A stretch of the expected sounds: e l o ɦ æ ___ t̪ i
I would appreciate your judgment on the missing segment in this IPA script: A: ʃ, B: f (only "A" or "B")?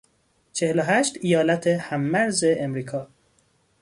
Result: A